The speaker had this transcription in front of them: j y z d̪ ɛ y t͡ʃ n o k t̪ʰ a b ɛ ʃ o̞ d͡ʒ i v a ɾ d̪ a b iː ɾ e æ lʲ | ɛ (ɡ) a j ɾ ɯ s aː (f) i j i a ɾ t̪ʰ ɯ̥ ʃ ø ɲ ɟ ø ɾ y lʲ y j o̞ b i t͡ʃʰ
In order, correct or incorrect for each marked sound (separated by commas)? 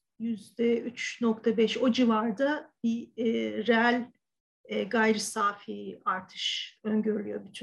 correct, correct